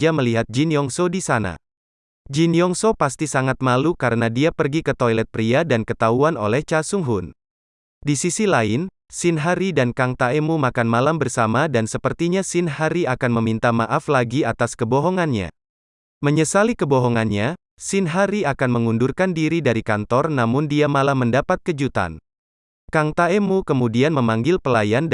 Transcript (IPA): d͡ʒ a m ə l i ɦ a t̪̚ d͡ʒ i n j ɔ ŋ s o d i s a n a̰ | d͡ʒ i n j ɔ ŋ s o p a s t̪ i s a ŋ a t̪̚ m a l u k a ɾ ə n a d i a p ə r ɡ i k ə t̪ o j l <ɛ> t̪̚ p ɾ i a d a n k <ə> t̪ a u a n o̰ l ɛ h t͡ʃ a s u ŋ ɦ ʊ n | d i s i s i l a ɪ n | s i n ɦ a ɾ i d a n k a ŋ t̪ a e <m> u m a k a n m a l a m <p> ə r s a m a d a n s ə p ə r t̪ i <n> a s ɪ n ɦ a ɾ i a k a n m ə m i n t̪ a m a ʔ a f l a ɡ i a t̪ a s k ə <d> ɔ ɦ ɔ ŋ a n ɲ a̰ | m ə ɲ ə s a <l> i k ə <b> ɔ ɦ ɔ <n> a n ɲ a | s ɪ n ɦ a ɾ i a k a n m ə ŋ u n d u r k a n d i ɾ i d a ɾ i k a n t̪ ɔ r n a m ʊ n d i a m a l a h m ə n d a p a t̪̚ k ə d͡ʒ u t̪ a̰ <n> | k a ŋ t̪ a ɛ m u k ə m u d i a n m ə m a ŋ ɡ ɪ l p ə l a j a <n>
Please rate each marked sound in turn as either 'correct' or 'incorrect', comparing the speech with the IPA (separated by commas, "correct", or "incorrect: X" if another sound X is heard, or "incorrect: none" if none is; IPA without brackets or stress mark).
correct, correct, correct, incorrect: b, incorrect: ɲ, incorrect: b, correct, correct, incorrect: ŋ, correct, correct